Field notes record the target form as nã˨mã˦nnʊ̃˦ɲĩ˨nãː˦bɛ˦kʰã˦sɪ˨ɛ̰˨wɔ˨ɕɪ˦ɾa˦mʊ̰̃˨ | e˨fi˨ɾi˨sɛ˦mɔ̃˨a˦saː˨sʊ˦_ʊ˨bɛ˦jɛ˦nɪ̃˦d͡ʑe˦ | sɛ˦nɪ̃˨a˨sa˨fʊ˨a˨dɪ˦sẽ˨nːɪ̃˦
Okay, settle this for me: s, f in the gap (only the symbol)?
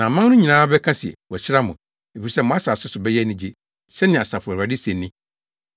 s